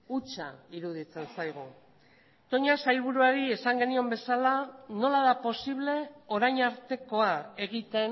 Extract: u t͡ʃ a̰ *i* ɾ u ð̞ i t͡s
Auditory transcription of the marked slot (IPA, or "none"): i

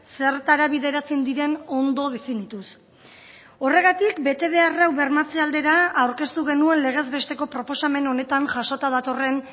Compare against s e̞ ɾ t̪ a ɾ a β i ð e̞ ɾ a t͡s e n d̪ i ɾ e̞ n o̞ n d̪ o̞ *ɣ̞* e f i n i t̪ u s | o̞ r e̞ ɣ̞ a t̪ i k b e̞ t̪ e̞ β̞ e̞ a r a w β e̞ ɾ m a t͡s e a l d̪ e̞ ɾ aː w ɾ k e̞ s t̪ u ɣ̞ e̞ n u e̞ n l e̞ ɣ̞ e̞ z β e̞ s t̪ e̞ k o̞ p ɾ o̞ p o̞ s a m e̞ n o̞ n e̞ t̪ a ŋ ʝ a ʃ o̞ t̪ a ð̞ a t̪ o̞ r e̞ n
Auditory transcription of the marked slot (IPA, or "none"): ð̞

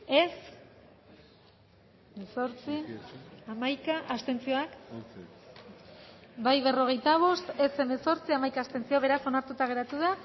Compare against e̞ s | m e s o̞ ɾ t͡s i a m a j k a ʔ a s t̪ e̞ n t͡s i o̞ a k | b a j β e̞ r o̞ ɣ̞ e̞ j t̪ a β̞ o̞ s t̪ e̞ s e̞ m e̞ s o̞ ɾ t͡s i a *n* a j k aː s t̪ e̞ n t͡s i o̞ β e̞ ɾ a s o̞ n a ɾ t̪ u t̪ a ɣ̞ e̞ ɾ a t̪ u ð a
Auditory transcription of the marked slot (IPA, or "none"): m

